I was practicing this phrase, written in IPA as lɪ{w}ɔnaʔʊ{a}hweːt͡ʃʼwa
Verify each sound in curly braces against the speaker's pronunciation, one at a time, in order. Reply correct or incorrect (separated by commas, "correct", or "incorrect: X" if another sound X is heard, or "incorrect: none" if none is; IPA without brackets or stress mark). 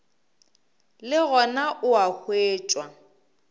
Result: incorrect: ɣ, correct